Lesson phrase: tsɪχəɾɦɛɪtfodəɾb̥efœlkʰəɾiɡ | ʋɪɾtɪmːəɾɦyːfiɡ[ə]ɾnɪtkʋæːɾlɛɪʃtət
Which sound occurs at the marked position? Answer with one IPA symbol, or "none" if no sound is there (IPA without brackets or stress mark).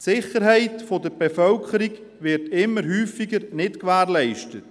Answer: ə